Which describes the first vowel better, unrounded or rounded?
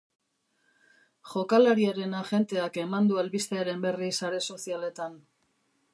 rounded